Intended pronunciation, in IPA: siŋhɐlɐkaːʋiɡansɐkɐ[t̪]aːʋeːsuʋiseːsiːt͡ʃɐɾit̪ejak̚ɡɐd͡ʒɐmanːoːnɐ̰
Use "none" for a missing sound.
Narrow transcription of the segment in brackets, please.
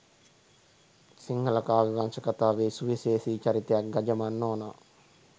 t̪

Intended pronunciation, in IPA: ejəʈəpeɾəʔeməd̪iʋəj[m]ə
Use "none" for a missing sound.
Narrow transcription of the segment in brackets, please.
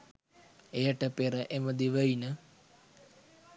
n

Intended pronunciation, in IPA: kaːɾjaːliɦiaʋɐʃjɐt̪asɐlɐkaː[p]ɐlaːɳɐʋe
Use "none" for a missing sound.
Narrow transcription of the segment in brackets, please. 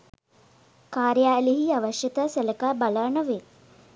b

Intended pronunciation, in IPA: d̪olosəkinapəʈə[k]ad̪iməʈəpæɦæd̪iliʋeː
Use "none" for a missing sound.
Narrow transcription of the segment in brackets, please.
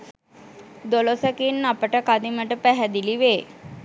k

